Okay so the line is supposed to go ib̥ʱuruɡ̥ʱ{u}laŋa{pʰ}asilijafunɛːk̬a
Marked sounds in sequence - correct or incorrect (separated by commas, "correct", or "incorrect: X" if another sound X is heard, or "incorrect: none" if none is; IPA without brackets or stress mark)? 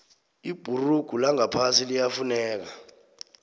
correct, correct